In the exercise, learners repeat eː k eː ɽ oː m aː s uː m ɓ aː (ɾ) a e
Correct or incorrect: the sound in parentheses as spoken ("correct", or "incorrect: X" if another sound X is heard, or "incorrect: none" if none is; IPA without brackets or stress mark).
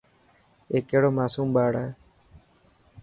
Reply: incorrect: ɽ